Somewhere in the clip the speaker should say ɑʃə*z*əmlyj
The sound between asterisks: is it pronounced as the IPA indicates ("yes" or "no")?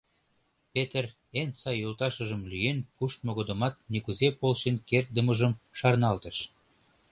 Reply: no